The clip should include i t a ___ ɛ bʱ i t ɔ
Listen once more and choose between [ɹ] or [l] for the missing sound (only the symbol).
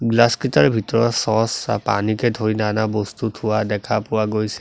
ɹ